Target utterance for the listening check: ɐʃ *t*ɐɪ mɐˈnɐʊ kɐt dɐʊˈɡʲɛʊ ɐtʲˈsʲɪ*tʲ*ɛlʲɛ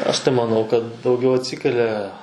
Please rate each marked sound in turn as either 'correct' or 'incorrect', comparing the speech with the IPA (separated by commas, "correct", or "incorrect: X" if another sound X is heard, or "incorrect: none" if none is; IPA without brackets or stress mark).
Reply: correct, incorrect: kʲ